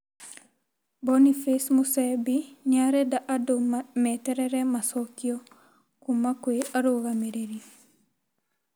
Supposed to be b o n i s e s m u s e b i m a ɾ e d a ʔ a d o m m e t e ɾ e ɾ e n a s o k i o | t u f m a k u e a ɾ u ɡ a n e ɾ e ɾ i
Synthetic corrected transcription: b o n i f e s m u s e b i ɲ a ɾ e d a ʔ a d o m m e t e ɾ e ɾ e m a s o k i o | k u m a k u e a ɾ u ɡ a m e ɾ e ɾ i